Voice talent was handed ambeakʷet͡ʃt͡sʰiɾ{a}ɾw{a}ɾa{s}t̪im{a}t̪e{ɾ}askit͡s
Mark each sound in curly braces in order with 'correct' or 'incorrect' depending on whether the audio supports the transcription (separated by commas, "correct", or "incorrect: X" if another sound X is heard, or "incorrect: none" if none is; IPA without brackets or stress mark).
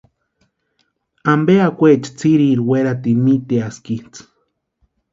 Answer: incorrect: i, incorrect: e, incorrect: none, incorrect: i, incorrect: none